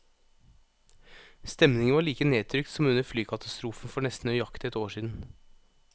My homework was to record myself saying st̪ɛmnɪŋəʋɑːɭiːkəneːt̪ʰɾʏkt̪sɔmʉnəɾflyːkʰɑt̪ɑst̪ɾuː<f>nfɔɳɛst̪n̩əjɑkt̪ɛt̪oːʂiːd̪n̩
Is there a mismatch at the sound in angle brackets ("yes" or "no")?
no